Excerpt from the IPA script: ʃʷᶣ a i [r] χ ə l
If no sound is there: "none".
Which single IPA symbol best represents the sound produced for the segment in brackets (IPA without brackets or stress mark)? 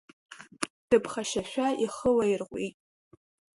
none